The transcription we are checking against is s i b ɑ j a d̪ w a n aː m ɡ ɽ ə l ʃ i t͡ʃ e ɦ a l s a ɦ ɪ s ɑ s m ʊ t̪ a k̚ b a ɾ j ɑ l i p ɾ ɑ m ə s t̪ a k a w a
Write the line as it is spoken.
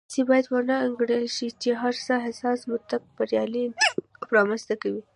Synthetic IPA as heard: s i b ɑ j a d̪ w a n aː ŋ ɡ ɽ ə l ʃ i t͡ʃ e ɦ a ɾ s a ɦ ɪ s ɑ s m ʊ t̪ a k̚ b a ɾ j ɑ l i p ɾ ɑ m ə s t̪ a k a w i